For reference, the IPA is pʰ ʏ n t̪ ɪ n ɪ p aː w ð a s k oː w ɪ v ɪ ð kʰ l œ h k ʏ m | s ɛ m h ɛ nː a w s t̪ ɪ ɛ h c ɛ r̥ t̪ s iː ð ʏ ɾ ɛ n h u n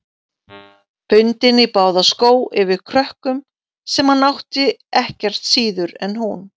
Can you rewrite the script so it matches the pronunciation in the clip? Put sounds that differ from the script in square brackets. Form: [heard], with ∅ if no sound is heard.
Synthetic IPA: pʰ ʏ n t̪ ɪ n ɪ p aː w ð a s k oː w ɪ v ɪ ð kʰ [ɾ] œ h k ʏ m | s ɛ m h [a] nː a w [h] t̪ ɪ ɛ h c ɛ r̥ t̪ s iː ð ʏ ɾ ɛ n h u n